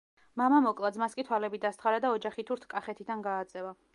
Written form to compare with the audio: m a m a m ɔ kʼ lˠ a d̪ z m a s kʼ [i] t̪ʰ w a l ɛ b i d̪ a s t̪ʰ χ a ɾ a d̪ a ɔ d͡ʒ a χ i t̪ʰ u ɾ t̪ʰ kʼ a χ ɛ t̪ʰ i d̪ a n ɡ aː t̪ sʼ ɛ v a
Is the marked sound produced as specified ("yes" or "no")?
yes